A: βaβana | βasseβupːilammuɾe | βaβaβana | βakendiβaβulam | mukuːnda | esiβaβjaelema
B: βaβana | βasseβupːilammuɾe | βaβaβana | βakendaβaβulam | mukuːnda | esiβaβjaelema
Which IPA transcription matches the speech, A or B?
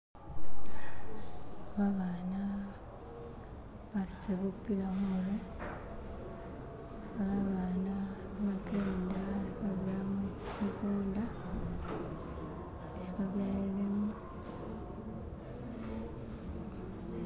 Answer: B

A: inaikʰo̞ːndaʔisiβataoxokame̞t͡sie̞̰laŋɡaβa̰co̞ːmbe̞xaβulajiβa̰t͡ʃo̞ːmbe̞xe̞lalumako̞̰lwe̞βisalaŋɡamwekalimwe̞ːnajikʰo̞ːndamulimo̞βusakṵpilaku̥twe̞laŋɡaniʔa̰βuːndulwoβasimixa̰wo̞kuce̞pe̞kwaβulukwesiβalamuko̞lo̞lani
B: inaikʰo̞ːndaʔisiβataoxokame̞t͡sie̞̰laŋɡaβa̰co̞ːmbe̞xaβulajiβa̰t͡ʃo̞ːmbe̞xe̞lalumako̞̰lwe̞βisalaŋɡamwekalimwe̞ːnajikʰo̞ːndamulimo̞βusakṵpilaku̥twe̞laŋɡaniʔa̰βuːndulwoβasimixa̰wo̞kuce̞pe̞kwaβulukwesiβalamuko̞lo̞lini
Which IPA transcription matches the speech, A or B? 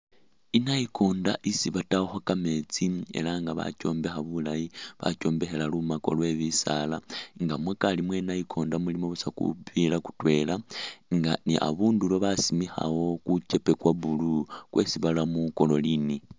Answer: B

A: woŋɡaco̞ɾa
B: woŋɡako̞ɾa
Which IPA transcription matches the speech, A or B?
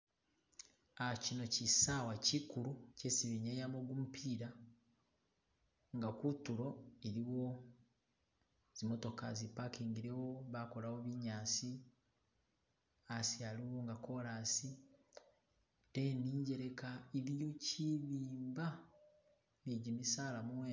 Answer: B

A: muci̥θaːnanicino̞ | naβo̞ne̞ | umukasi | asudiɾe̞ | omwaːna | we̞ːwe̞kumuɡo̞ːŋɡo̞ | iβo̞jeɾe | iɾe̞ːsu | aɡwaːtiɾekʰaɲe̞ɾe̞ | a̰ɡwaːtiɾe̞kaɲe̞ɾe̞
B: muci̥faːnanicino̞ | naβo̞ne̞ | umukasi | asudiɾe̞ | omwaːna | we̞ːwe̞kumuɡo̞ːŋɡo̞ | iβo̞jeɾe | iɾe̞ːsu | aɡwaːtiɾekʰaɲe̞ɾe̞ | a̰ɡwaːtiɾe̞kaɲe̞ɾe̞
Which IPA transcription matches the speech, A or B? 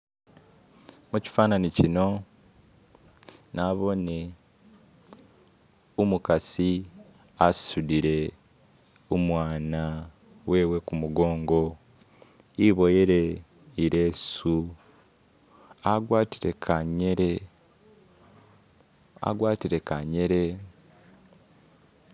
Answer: B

